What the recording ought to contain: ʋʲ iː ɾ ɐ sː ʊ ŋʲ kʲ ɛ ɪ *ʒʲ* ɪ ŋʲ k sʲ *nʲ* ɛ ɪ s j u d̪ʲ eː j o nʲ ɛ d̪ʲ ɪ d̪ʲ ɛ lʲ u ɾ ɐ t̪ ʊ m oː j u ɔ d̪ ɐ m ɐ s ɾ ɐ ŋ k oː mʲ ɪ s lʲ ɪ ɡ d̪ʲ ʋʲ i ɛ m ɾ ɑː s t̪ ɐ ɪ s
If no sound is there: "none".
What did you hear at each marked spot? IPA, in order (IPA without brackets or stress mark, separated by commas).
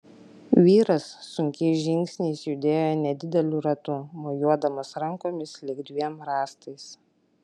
ʒʲ, nʲ